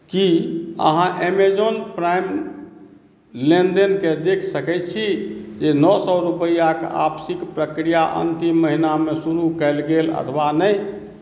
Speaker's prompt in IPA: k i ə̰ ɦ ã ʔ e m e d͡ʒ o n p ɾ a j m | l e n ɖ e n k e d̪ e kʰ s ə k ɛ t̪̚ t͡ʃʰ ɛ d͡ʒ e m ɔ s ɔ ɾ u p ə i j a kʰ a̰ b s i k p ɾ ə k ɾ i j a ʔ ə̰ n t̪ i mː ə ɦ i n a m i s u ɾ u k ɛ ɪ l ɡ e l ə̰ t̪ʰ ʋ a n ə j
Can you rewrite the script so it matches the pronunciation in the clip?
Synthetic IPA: k i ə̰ ɦ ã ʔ e m e d͡ʒ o n p ɾ a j m | l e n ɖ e n k e d̪ e kʰ s ə k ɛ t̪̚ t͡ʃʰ i d͡ʒ e n ɔ s ɔ ɾ u p ə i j a k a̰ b s i k p ɾ ə k ɾ i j a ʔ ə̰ n t̪ i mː ə ɦ i n a m e s u ɾ u k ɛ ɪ l ɡ e l ə̰ t̪ʰ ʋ a n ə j